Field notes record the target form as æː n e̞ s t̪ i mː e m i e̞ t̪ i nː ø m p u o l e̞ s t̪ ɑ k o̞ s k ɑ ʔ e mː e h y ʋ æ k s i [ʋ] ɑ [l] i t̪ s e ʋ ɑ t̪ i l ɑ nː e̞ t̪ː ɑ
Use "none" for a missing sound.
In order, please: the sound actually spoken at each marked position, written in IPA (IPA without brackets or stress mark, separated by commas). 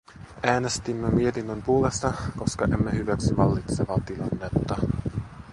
ʋ, lː